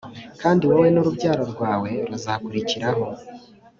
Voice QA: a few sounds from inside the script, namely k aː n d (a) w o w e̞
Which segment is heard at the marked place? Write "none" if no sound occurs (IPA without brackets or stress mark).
i